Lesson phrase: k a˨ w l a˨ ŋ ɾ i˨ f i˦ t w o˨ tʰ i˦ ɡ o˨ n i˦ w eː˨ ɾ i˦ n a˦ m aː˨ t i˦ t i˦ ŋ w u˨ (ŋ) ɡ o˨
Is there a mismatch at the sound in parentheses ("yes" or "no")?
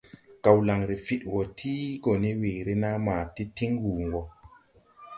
no